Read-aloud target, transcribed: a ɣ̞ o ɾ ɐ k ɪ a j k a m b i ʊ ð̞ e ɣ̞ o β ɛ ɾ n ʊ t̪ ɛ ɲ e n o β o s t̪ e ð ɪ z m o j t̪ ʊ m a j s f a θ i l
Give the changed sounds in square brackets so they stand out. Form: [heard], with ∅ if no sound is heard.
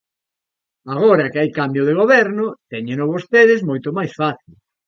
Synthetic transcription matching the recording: a ɣ̞ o ɾ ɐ k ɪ a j k a m b [j] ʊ ð̞ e ɣ̞ o β ɛ ɾ n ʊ t̪ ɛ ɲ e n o β o s t̪ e ð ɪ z m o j t̪ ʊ m a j s f a θ i l